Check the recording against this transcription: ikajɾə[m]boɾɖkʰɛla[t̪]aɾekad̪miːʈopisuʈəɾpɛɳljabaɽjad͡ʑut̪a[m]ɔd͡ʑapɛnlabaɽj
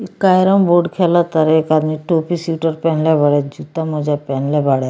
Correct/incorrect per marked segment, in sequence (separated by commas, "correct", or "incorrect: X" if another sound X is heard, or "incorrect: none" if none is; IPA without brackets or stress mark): correct, correct, correct